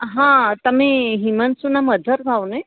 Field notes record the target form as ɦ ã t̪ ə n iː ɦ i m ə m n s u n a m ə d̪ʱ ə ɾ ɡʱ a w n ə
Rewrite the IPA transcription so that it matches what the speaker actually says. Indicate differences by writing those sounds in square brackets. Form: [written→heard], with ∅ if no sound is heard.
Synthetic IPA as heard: ɦ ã t̪ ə [n→m] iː ɦ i m ə [m→∅] n s u n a m ə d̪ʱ ə ɾ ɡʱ a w n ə